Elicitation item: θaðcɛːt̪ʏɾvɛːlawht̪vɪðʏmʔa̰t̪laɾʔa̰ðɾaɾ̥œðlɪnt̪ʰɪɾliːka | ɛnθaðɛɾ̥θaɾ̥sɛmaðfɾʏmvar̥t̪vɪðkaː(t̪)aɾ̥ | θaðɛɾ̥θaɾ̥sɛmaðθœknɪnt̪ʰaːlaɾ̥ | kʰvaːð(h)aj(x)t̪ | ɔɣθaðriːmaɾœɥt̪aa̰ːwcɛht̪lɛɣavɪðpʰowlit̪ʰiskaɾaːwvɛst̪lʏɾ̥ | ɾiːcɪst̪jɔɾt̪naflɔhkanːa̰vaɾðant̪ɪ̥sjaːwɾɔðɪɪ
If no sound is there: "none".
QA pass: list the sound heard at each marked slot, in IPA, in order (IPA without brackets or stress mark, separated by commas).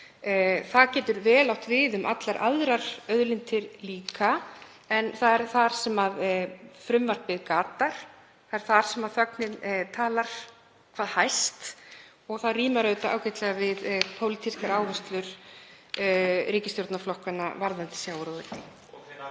t̪, h, s